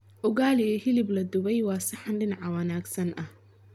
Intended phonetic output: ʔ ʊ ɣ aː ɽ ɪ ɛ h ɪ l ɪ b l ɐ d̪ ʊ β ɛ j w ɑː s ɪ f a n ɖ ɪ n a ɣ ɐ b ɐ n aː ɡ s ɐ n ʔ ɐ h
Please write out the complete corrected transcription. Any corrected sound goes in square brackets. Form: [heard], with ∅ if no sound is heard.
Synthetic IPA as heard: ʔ ʊ ɣ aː [l] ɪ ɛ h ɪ l ɪ b l ɐ d̪ ʊ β ɛ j w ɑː s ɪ [ħ] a n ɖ ɪ n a [ʕ] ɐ [w] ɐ n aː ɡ s ɐ n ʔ ɐ h